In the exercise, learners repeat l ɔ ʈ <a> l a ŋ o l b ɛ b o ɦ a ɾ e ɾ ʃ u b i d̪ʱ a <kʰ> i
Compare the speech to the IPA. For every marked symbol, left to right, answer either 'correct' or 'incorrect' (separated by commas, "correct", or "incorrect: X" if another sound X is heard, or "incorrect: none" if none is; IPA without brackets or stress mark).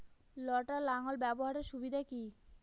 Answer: correct, incorrect: k